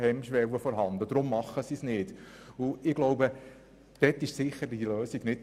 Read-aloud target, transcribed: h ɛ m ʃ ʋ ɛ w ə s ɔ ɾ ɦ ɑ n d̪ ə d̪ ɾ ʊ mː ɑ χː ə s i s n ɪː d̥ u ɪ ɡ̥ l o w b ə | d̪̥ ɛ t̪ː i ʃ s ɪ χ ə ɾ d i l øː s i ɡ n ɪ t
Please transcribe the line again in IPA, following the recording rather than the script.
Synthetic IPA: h ɛ m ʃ ʋ ɛ w ə f ɔ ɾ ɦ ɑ n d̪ ə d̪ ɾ ʊ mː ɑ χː ə s i s n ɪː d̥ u ɪ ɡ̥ l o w b ə | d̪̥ ɛ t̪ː ɪ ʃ s ɪ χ ə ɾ d i l øː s i ɡ n ɪ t